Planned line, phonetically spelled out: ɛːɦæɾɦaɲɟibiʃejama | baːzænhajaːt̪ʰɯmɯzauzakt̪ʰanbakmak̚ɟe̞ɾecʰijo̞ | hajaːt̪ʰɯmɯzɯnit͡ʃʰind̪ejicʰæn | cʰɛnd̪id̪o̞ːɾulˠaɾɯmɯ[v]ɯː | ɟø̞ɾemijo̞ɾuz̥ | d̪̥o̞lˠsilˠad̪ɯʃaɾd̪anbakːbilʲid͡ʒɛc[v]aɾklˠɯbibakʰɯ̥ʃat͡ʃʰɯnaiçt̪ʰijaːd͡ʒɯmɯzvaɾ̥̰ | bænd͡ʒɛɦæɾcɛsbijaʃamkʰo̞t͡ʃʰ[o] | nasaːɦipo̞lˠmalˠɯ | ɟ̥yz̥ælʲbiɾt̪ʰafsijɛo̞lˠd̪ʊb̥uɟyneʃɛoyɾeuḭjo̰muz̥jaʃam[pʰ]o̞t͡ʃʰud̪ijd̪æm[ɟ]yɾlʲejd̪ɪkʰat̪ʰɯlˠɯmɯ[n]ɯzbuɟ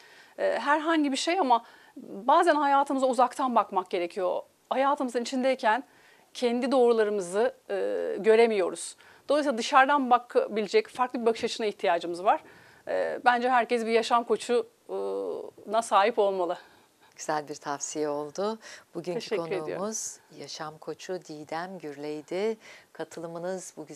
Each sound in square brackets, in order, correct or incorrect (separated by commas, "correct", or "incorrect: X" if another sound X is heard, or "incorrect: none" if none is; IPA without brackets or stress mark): incorrect: z, incorrect: f, incorrect: u, incorrect: kʰ, correct, correct